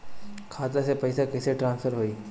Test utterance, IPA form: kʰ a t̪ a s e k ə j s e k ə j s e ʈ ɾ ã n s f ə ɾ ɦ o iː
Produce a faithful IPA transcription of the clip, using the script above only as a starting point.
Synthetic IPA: kʰ a t̪ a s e p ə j s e k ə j s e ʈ ɾ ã n s f ə ɾ ɦ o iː